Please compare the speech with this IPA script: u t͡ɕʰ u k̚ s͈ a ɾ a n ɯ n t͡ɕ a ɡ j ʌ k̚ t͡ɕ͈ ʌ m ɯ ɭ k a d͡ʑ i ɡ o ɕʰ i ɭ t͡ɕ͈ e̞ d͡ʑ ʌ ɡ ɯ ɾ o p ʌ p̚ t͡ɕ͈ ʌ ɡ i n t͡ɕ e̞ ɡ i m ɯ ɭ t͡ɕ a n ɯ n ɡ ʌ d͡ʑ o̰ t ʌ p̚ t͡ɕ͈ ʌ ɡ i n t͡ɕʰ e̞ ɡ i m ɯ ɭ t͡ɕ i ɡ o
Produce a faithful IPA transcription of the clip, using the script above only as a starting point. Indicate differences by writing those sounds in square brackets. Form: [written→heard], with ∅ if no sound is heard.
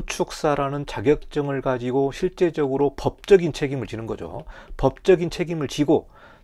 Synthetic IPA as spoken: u t͡ɕʰ u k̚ s͈ a ɾ a n ɯ n t͡ɕ a ɡ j ʌ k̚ t͡ɕ͈ ʌ [m→ŋ] ɯ ɭ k a d͡ʑ i ɡ o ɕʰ i ɭ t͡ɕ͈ e̞ d͡ʑ ʌ ɡ ɯ ɾ o p ʌ p̚ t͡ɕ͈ ʌ ɡ i n [t͡ɕ→t͡ɕʰ] e̞ ɡ i m ɯ ɭ t͡ɕ [a→i] n ɯ n ɡ ʌ d͡ʑ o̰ [t→p] ʌ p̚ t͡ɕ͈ ʌ ɡ i n t͡ɕʰ e̞ ɡ i m ɯ ɭ t͡ɕ i ɡ o